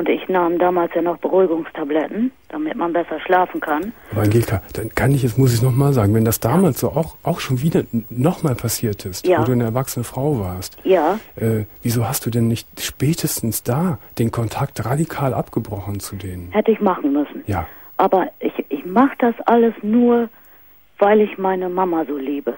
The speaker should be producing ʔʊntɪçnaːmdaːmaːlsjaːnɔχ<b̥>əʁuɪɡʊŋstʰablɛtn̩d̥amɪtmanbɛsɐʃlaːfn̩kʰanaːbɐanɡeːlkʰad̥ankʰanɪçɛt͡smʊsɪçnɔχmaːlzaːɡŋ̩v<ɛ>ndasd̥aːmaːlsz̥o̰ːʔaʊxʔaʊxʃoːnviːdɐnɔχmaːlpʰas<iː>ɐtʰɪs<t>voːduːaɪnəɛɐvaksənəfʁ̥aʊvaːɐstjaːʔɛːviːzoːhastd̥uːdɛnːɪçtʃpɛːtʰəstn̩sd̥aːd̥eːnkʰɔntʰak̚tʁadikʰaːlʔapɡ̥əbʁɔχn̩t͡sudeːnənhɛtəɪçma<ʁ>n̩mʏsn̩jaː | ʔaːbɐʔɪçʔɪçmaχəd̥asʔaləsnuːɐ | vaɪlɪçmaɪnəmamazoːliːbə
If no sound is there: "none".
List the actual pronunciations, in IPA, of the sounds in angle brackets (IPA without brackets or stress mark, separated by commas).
b̥, ɛ, iː, t, χ